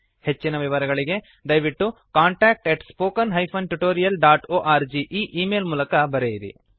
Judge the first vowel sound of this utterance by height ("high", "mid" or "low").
mid